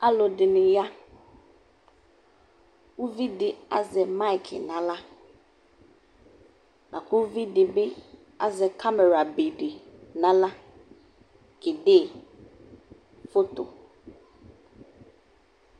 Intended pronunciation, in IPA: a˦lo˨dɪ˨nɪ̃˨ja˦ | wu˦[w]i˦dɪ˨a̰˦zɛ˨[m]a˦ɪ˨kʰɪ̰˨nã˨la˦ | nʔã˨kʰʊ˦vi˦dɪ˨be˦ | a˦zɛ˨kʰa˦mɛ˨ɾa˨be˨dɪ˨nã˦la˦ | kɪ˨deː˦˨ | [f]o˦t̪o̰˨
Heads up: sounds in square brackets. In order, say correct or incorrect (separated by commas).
incorrect, correct, correct